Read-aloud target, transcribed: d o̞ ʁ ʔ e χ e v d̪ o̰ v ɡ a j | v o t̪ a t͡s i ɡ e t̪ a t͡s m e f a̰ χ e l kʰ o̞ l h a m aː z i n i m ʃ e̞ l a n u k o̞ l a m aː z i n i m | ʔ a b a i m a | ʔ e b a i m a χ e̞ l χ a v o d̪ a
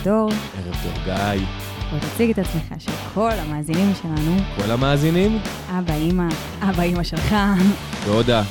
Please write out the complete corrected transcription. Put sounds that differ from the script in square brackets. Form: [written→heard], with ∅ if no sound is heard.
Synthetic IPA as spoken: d o̞ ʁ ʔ e [χ→ʁ] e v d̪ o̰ [v→ʁ] ɡ a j | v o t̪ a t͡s i ɡ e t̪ a t͡s m e [f→χ] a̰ [χ→ʃ] e l kʰ o̞ l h a m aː z i n i m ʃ e̞ l a n u k o̞ l a m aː z i n i m | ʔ a b a i m a | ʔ [e→a] b a i m a [χ→ʃ] e̞ l χ a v o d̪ a